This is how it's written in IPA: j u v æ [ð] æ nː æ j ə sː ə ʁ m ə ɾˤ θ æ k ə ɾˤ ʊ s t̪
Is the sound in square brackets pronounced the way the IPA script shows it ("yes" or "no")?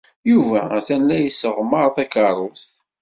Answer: no